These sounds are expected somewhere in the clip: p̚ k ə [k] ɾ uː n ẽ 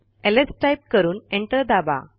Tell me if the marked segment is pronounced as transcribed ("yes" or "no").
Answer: no